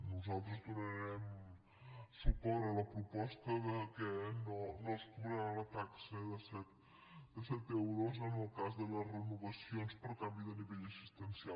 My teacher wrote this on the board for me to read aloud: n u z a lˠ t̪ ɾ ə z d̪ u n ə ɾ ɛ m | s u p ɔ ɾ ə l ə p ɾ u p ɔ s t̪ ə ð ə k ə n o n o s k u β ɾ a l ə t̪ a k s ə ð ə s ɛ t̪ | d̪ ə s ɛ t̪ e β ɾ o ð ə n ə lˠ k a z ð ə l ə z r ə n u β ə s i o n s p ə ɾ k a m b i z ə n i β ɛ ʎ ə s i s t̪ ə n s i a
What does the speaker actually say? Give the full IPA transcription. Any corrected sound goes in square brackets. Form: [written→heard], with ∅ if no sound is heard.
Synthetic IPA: n u z a lˠ t̪ ɾ ə z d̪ u n ə ɾ ɛ m | s u p ɔ ɾ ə l ə p ɾ u p ɔ s t̪ ə ð ə k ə n o n o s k u β ɾ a l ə t̪ a k s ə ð ə s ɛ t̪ | d̪ ə s ɛ t̪ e [β→w] ɾ o [ð→z] ə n ə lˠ k a z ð ə l ə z r ə n u β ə s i o n s p ə ɾ k a m b i [z→ð] ə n i β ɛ ʎ ə s i s t̪ ə n s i a